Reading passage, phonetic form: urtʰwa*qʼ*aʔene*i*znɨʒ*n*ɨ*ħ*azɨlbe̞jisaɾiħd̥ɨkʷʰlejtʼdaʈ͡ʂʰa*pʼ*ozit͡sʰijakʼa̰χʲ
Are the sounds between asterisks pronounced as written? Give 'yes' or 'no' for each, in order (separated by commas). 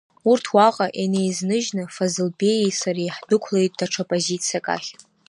yes, no, yes, no, yes